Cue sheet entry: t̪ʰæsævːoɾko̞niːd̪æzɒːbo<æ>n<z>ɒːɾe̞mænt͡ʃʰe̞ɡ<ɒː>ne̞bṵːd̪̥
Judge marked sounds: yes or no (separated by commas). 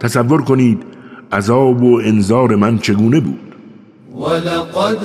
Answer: no, yes, no